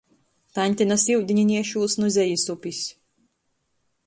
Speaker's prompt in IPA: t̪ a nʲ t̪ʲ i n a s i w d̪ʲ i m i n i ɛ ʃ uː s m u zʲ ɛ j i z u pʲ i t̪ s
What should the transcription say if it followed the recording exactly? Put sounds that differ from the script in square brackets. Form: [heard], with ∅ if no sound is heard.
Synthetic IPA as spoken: t̪ a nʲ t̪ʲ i n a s i w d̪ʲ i [ɲ] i n i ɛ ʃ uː s [n] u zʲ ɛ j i [s] u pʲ i [∅] s